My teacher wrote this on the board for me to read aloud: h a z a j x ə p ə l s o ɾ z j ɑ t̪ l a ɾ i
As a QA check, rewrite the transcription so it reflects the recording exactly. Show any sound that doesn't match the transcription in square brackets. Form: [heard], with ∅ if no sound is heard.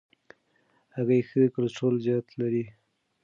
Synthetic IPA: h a [ɣ] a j x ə [k] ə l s o [l] z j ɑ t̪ l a ɾ i